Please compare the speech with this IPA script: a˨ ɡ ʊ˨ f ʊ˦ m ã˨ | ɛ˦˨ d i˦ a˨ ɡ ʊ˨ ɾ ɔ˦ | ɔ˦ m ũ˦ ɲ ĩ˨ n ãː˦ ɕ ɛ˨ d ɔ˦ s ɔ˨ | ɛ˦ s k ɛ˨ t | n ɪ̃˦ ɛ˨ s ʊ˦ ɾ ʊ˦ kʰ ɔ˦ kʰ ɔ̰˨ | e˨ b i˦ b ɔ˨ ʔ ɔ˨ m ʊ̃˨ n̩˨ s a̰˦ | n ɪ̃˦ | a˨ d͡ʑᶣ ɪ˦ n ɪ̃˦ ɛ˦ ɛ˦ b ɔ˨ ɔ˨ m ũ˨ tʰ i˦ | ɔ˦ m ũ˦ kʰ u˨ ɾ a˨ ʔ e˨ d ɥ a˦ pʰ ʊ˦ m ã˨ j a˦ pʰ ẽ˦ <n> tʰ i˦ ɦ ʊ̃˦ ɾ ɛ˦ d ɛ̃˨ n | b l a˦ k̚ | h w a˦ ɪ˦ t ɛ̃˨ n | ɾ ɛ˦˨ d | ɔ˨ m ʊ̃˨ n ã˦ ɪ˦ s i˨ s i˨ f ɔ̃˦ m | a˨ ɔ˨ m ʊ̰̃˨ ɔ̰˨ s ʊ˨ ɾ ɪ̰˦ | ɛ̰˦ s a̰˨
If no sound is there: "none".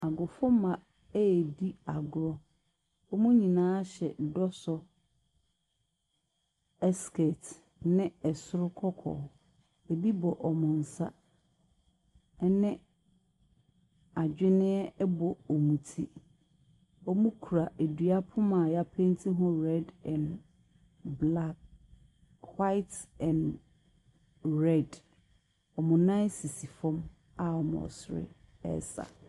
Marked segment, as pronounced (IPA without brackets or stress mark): n